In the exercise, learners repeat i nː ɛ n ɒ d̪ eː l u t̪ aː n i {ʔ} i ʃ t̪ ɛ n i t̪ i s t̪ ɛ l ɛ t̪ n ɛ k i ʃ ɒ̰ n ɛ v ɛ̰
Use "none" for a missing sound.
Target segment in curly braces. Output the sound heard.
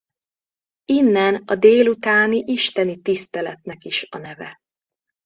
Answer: ʔ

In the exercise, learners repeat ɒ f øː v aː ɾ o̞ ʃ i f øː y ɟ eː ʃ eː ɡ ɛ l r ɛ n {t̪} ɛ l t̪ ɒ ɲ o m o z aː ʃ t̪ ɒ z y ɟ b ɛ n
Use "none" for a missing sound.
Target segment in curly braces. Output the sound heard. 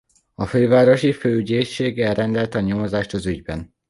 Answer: d̪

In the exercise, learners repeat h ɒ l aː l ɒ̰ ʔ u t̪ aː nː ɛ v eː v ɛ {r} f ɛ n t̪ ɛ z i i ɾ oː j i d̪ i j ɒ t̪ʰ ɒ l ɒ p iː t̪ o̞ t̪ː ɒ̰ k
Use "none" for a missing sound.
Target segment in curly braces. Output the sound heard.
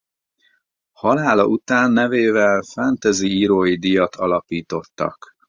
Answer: l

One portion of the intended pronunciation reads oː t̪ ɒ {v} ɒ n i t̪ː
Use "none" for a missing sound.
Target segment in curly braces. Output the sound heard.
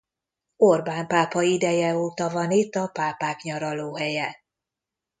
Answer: v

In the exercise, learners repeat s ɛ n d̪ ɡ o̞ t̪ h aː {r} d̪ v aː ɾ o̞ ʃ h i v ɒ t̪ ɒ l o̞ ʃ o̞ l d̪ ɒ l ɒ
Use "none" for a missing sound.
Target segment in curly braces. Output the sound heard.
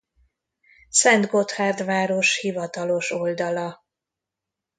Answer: r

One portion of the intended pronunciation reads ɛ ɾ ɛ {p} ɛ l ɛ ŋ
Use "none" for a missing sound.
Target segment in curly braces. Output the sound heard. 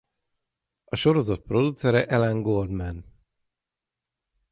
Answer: ʔ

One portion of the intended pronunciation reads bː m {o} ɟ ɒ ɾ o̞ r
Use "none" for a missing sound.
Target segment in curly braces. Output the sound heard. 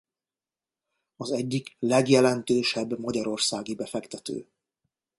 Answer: ɒ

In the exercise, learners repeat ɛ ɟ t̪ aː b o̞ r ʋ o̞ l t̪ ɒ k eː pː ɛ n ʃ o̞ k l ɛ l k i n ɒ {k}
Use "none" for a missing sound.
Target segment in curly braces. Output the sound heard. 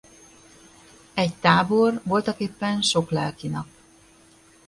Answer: p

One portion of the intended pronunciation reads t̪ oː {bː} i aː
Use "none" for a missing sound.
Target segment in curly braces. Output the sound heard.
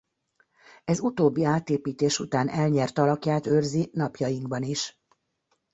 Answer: bː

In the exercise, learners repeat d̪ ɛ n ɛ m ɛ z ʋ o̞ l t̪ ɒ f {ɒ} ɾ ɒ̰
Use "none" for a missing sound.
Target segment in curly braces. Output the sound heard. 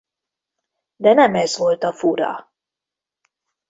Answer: u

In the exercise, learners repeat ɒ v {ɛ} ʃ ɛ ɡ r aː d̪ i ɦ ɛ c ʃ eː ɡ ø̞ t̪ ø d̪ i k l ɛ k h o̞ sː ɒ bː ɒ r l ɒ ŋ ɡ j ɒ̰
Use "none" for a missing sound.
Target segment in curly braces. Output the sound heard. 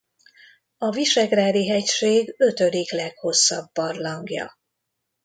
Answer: i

